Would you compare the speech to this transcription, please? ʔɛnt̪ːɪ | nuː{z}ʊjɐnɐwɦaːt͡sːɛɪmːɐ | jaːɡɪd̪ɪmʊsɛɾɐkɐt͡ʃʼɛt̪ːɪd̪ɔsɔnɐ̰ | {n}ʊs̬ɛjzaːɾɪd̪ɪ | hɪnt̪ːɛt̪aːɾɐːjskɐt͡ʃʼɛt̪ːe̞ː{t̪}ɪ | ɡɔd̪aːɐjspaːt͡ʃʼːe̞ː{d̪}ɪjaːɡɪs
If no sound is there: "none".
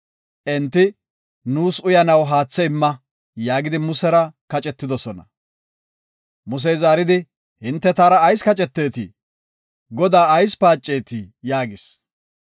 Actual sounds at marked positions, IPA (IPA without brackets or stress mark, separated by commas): s, m, t̪, t̪